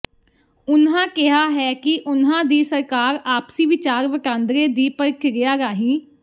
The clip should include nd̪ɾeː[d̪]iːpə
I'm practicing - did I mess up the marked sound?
no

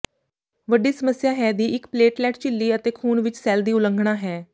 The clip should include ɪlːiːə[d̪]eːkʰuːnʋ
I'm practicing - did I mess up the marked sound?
yes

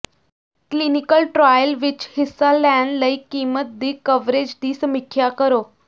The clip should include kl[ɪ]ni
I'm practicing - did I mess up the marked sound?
yes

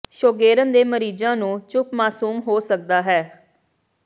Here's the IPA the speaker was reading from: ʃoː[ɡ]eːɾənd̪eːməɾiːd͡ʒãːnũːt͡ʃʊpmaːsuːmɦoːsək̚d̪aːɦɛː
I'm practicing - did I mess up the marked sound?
no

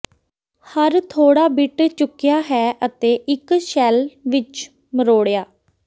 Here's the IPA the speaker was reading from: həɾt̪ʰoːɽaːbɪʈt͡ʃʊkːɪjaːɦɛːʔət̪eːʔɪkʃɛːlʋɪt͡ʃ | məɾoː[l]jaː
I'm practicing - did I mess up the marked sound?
yes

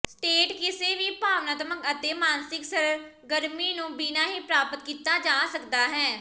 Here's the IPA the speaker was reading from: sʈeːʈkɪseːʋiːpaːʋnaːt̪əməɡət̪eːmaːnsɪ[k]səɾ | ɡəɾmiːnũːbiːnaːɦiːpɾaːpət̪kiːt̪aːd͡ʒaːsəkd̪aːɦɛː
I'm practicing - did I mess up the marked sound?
no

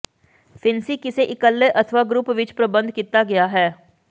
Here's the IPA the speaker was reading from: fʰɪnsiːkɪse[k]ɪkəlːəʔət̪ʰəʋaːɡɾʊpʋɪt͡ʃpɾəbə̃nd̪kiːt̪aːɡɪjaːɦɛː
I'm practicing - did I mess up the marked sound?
yes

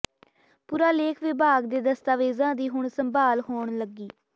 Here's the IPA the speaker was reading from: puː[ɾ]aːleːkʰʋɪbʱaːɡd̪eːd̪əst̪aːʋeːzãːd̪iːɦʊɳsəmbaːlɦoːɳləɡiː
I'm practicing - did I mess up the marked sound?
no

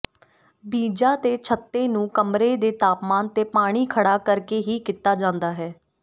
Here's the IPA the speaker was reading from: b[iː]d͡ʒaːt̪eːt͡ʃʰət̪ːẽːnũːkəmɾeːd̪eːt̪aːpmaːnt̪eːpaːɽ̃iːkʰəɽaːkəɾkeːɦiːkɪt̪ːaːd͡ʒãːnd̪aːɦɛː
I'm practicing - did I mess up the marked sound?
no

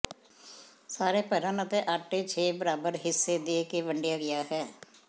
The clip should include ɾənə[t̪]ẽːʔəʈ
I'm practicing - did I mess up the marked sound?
no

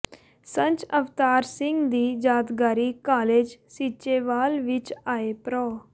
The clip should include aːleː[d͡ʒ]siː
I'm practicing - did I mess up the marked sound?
no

